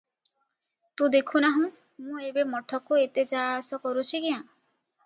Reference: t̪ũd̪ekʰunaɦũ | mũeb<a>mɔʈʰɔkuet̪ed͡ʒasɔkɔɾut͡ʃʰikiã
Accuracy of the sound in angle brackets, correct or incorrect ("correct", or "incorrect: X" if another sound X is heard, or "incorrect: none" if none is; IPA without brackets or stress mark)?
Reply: incorrect: e